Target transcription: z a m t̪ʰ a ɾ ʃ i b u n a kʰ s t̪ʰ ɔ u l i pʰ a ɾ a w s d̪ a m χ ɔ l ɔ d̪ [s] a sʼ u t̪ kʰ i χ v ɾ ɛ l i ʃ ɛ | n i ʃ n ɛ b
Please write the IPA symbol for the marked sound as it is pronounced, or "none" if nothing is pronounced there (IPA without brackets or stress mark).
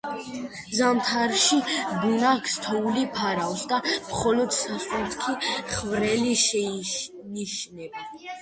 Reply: s